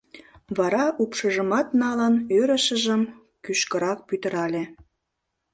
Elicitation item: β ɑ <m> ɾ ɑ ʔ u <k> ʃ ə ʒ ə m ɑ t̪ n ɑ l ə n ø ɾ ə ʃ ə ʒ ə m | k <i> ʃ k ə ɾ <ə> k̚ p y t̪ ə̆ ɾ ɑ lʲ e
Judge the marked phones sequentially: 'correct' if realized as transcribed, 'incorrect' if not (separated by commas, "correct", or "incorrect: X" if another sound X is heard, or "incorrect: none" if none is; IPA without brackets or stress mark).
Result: incorrect: none, incorrect: p, incorrect: y, incorrect: ɑ